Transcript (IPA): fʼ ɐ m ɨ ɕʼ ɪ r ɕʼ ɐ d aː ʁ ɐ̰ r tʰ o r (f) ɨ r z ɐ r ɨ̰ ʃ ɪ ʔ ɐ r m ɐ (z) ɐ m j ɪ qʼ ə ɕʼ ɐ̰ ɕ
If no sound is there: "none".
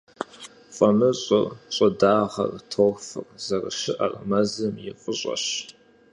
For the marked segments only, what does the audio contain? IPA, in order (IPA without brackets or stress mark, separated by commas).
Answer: f, z